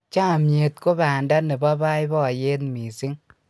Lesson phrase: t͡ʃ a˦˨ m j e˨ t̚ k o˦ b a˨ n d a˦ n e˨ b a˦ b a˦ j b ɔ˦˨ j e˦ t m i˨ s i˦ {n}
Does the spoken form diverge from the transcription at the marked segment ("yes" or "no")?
yes